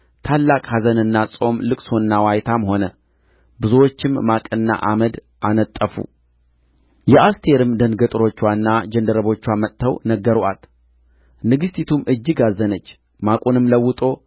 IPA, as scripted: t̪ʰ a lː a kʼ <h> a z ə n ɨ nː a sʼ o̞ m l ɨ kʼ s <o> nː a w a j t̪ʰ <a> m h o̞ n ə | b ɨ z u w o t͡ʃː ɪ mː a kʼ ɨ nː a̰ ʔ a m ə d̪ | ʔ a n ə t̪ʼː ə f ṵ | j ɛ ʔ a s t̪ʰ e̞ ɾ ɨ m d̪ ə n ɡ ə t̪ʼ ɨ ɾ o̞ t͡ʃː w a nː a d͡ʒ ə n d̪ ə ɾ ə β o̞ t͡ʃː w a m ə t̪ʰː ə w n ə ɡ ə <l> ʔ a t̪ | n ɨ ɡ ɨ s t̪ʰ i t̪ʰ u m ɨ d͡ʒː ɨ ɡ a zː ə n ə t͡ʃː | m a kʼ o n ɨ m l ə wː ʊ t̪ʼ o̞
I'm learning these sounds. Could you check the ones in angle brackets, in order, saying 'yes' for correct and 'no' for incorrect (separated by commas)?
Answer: yes, yes, yes, no